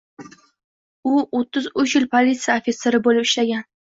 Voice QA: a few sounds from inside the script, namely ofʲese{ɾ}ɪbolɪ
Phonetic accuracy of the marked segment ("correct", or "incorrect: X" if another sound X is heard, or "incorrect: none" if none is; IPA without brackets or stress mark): correct